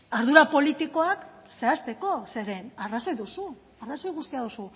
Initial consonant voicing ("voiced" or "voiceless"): voiced